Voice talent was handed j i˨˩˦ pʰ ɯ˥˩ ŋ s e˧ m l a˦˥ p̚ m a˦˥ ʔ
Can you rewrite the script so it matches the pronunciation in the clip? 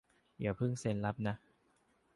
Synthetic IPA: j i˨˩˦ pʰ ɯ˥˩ ŋ s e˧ n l a˦˥ p̚ n a˦˥ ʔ

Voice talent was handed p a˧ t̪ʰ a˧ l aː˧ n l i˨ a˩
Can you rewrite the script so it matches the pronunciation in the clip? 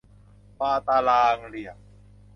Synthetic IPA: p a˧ t̪ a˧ l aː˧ ŋ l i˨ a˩

